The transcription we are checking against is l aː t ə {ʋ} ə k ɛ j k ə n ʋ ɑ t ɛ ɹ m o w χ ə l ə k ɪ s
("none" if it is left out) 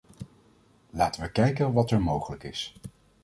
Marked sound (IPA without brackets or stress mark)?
ʋ